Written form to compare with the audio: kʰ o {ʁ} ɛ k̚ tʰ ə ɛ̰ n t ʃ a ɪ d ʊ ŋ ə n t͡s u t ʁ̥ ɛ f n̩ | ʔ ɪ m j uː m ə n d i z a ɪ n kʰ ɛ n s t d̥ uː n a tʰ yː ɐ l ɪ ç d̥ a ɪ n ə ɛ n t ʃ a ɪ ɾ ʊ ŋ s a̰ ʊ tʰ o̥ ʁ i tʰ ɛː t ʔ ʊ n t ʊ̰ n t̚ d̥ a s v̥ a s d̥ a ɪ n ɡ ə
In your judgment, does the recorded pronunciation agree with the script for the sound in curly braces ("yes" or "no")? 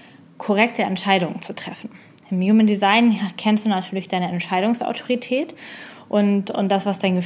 yes